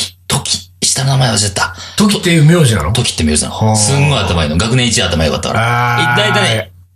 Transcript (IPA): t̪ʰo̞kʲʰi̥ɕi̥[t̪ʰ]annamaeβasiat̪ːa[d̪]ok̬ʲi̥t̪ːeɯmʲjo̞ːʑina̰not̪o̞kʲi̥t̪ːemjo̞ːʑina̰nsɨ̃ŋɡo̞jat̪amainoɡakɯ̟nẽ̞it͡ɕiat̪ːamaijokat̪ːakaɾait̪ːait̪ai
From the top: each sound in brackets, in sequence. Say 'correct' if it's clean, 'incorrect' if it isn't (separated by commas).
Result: incorrect, incorrect